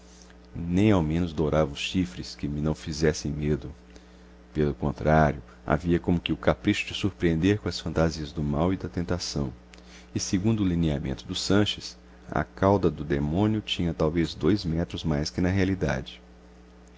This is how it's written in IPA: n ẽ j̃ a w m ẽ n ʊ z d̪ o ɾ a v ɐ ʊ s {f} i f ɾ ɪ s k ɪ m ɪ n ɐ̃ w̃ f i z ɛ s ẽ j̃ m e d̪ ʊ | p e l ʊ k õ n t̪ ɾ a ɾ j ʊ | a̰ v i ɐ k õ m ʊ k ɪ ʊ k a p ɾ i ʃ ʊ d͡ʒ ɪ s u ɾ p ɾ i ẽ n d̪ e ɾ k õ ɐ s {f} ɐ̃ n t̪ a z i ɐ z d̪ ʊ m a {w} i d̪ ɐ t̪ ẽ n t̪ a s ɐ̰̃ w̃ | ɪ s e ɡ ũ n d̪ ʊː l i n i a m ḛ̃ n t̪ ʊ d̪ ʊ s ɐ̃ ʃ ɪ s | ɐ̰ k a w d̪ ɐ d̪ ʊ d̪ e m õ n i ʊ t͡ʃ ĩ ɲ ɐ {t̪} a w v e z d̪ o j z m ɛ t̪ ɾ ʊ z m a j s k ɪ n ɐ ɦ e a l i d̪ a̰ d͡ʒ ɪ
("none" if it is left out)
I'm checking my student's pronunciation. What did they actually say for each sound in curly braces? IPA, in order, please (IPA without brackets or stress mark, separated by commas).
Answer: ʃ, f, w, t̪